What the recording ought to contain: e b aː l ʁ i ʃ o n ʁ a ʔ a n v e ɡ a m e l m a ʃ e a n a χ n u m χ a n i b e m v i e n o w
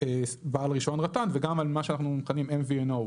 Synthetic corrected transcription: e b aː l ʁ i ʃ o n ʁ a t a n v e ɡ a m a l m a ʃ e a n a χ n u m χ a n i m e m v i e n o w